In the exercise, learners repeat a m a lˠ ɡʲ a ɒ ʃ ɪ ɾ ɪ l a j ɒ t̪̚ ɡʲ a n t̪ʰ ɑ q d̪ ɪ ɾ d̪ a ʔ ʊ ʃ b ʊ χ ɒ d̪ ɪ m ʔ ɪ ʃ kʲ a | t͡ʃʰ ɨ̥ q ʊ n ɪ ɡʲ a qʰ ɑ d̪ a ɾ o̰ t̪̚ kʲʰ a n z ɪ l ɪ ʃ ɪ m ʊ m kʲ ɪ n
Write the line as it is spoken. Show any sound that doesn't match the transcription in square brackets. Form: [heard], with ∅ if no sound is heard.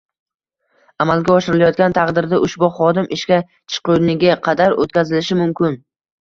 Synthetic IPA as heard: a m a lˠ ɡʲ a ɒ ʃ ɪ ɾ ɪ l a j ɒ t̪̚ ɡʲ a n t̪ʰ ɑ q d̪ ɪ ɾ d̪ a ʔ ʊ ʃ b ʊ χ ɒ d̪ ɪ m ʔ ɪ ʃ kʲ a | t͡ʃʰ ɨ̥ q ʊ n ɪ ɡʲ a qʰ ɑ d̪ a ɾ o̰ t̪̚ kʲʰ a [∅] z ɪ l ɪ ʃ ɪ m ʊ m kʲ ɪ n

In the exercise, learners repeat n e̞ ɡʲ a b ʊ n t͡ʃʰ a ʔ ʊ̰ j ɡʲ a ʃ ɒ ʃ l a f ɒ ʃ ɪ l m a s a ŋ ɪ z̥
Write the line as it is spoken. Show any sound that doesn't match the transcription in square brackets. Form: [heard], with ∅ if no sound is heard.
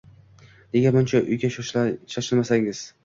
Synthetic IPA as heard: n e̞ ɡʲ a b ʊ n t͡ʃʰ a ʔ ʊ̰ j ɡʲ a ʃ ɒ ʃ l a [ʃ] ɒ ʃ ɪ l m a s a ŋ ɪ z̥

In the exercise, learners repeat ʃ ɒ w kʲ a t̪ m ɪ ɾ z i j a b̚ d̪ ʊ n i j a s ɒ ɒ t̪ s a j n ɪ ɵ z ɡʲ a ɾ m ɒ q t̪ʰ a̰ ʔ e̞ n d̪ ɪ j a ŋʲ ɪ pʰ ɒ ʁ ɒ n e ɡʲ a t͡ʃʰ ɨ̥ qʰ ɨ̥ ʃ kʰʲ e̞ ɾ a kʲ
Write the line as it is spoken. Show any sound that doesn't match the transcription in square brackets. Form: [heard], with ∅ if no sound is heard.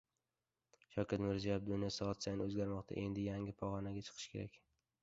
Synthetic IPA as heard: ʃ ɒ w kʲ a t̪ m ɪ ɾ z i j a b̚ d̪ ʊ n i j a s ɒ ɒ t̪ s a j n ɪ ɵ z ɡʲ a ɾ m ɒ q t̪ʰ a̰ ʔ e̞ n d̪ ɪ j a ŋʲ ɪ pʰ ɒ ʁ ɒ n [a] ɡʲ a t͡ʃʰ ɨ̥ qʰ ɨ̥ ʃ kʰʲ e̞ ɾ a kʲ

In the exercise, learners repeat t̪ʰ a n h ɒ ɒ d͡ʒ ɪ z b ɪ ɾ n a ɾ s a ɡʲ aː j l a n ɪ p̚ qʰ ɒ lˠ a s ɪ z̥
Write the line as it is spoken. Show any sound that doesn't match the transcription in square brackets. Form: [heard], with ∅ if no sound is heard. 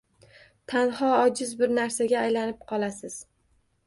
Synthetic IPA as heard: t̪ʰ a n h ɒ ɒ d͡ʒ ɪ z b ɪ ɾ n a ɾ s a ɡʲ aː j l a n ɪ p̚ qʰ ɒ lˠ a s ɪ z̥

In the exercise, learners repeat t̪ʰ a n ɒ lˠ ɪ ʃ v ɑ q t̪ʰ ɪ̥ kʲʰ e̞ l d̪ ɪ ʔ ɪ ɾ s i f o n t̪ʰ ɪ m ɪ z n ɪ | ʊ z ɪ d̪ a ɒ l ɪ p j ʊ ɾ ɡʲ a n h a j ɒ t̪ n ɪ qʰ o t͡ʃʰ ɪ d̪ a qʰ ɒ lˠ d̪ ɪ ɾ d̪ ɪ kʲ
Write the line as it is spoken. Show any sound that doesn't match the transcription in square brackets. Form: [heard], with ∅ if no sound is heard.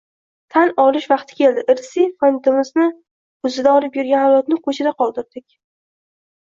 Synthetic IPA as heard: t̪ʰ a n ɒ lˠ ɪ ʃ v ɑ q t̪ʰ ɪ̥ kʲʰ e̞ l d̪ ɪ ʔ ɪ ɾ s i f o n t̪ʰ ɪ m ɪ z n ɪ | ʊ z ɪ d̪ a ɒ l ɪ p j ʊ ɾ ɡʲ a n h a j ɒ t̪ n ɪ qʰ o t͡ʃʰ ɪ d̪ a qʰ ɒ lˠ d̪ ɪ ɾ d̪ ɪ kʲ

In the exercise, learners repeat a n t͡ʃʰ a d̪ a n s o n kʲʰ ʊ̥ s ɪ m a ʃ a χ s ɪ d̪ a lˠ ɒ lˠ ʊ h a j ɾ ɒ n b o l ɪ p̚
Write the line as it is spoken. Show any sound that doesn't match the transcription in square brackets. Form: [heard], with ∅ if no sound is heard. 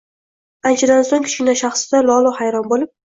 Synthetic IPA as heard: a n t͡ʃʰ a d̪ a n s o [ŋ] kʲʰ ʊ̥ [ʃ] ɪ [n] a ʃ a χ s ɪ d̪ a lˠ ɒ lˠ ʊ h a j ɾ ɒ n b o l ɪ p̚

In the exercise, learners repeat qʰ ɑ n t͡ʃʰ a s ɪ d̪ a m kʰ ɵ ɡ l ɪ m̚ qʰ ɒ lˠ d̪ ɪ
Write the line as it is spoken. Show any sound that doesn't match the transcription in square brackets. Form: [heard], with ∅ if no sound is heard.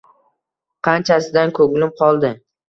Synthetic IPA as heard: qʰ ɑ n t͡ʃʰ a s ɪ d̪ a [n] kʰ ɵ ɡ l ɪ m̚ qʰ ɒ lˠ d̪ ɪ

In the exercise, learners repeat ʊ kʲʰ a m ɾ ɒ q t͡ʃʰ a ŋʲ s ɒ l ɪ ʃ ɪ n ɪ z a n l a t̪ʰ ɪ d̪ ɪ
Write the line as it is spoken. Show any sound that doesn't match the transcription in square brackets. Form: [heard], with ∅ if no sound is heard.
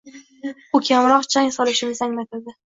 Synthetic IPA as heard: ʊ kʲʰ a m ɾ ɒ q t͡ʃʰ a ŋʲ s ɒ l ɪ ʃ ɪ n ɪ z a [ŋ] l a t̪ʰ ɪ d̪ ɪ

